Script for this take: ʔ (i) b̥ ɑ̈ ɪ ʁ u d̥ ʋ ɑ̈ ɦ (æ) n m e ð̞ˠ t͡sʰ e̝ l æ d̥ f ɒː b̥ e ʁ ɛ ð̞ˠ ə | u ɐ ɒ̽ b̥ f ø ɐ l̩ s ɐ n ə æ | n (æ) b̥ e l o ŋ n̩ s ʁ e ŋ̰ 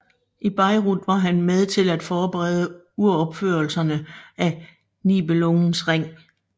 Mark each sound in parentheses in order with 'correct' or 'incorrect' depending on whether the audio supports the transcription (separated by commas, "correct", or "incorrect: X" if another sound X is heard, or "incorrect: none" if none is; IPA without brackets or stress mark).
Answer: correct, correct, incorrect: i